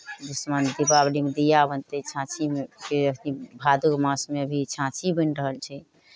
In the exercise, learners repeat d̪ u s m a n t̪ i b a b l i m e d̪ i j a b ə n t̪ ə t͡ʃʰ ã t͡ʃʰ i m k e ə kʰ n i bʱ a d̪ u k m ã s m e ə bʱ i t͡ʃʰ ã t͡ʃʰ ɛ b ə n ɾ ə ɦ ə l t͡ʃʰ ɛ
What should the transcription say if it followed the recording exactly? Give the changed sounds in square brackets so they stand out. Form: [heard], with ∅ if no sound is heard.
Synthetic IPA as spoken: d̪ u s m a n [d̪] i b a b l i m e d̪ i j a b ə n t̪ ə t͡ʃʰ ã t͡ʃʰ i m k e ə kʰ n i bʱ a d̪ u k m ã s m e ə bʱ i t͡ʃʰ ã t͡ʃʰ [i] b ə n ɾ ə ɦ ə l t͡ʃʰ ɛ